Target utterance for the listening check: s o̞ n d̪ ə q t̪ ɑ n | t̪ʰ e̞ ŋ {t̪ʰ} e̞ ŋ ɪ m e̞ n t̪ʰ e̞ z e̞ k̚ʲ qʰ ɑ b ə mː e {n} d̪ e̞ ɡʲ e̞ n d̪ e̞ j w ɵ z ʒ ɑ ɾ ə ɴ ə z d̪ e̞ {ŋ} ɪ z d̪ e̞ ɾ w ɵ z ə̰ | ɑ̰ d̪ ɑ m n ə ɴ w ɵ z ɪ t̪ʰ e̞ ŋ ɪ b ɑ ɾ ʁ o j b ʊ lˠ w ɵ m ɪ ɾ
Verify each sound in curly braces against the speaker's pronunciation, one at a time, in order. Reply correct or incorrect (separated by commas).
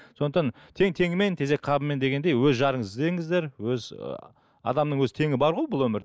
correct, correct, correct